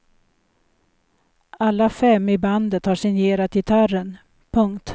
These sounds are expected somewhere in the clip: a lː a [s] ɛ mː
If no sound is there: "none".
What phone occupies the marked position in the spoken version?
f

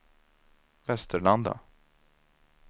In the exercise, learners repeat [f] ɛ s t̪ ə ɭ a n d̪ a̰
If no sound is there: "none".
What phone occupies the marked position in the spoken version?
v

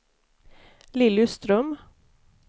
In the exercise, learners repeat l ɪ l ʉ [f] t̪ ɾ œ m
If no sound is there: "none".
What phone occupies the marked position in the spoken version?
s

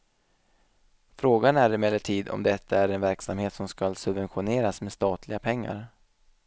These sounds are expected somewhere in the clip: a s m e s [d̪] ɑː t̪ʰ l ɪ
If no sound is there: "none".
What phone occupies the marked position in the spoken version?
t̪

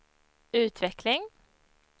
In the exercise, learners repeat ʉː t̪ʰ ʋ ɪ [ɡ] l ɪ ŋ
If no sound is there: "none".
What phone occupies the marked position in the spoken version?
k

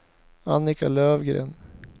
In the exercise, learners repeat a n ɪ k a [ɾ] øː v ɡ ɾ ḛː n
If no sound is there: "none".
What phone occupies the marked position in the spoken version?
l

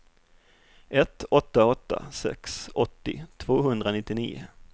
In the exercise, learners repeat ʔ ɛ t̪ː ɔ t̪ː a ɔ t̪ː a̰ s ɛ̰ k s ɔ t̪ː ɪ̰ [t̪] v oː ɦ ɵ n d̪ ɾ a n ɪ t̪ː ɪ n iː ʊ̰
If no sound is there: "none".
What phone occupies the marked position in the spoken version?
t̪ʰ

